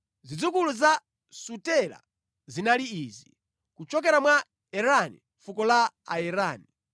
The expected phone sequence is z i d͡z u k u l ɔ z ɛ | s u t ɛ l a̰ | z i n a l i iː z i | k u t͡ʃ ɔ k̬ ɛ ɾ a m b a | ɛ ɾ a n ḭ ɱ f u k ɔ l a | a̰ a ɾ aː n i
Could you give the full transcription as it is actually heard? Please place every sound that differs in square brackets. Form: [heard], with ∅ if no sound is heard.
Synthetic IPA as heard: z i d͡z u k u l [u] z [a] | s u t ɛ l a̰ | z i n a l i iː z i | k u t͡ʃ ɔ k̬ ɛ ɾ a m [w] a | ɛ ɾ a n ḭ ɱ f u k ɔ l a | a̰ [ɛ] ɾ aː n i